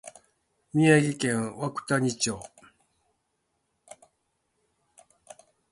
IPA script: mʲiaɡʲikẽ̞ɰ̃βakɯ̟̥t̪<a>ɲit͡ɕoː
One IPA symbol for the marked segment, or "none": a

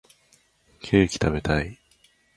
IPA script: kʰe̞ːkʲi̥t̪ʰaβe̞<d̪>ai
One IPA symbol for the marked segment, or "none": t̪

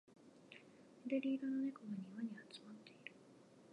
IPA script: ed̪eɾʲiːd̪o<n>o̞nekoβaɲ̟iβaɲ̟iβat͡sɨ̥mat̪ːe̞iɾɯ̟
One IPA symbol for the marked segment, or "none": n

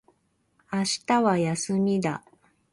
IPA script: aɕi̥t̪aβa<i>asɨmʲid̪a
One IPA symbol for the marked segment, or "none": j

